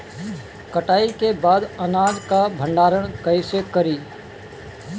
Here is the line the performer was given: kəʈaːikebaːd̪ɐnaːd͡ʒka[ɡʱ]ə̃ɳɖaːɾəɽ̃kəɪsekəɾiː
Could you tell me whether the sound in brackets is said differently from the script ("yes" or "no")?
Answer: yes